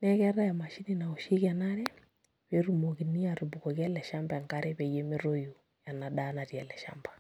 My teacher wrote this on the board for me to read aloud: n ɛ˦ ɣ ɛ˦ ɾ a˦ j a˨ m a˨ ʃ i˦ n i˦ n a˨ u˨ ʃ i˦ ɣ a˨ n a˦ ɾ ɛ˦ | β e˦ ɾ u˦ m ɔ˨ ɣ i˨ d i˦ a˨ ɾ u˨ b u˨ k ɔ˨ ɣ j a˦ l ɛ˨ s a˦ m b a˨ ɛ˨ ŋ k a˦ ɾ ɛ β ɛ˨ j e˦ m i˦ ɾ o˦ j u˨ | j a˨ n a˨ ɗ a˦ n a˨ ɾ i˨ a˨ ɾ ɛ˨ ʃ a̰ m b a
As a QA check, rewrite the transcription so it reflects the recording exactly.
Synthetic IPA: n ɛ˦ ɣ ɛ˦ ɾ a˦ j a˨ m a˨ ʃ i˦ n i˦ n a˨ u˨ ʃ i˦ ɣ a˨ n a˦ ɾ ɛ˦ | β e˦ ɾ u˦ m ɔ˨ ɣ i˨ n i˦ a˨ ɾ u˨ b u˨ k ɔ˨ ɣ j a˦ l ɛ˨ ʃ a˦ m b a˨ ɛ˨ ŋ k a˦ ɾ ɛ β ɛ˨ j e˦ m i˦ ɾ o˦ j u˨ | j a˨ n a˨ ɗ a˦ n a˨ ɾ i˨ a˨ l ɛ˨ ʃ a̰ m b a